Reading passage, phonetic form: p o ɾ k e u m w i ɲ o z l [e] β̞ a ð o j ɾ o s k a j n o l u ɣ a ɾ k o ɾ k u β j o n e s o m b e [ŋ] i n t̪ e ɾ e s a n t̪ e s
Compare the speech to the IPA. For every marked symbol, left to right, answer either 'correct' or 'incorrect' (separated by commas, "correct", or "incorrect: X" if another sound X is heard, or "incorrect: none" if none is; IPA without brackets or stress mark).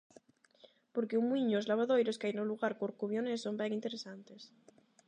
incorrect: a, correct